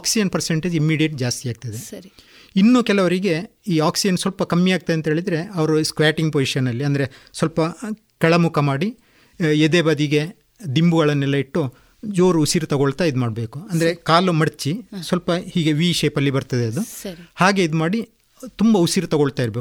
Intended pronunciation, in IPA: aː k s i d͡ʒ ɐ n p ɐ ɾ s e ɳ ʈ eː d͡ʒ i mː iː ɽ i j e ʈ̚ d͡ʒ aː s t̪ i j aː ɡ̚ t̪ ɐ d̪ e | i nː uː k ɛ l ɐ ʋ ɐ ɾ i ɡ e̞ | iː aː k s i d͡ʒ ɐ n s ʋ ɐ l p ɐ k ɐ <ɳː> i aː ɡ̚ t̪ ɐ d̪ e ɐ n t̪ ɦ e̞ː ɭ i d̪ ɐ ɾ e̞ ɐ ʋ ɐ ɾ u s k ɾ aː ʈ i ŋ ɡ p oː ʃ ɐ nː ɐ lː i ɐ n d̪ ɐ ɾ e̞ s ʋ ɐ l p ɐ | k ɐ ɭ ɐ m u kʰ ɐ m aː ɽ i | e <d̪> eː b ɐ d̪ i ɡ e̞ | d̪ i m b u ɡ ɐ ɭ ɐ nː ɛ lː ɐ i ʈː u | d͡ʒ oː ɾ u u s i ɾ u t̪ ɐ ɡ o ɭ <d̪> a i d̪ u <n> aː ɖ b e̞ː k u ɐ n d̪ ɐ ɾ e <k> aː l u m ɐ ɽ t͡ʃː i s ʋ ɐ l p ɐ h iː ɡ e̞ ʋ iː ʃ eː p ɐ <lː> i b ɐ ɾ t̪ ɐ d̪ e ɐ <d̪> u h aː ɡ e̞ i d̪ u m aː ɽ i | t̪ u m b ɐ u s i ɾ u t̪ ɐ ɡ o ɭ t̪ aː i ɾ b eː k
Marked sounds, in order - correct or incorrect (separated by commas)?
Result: incorrect, correct, incorrect, incorrect, correct, correct, correct